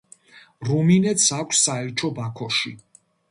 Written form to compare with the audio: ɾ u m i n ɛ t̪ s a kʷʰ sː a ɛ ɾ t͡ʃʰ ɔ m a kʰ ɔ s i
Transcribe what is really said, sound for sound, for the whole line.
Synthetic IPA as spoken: ɾ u m i n ɛ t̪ s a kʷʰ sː a ɛ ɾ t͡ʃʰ ɔ b a kʰ ɔ ʃ i